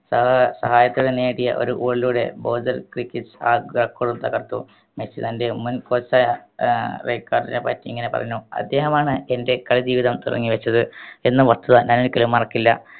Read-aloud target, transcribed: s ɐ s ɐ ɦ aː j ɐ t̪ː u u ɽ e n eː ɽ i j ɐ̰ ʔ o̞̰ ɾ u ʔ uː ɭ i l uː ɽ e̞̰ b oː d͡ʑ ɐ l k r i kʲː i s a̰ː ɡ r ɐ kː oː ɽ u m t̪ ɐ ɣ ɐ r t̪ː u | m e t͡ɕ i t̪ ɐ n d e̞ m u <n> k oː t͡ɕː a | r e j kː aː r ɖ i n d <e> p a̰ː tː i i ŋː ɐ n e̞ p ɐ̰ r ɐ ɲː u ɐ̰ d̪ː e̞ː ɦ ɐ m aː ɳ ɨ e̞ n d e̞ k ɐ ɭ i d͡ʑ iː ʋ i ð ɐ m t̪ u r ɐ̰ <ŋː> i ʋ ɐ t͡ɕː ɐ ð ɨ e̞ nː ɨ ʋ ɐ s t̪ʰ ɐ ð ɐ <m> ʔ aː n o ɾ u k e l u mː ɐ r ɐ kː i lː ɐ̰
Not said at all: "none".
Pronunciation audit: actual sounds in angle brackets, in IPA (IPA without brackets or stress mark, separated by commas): n, e, ŋː, ɲ